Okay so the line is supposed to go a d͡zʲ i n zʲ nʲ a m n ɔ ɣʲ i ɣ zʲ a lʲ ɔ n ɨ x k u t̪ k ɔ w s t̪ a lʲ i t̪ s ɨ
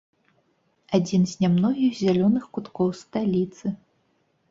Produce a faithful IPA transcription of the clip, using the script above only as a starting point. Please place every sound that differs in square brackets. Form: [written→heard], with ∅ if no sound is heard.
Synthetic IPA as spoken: a d͡zʲ i n zʲ nʲ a m n ɔ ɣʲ i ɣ zʲ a lʲ ɔ n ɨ x k u t̪ k ɔ w s t̪ a lʲ i t̪ s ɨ